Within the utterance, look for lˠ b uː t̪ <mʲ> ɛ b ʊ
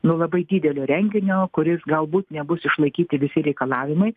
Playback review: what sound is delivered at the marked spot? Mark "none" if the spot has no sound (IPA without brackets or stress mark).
nʲ